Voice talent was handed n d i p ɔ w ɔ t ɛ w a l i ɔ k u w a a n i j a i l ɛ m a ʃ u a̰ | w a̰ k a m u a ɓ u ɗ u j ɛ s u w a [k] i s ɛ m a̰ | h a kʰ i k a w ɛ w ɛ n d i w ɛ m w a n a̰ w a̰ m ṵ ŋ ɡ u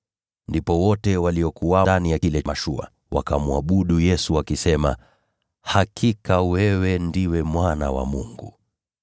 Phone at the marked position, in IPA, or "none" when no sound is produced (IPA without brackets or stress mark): k